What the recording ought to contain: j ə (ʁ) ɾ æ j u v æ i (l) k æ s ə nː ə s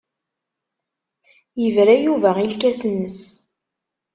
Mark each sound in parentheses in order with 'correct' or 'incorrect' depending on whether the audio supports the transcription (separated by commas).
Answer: incorrect, correct